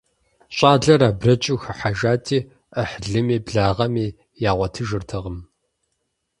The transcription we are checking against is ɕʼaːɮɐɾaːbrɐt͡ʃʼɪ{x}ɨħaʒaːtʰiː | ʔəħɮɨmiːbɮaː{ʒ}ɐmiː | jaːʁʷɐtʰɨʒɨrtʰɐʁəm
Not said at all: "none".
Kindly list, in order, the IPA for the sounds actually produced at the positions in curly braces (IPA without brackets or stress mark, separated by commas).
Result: x, ʁ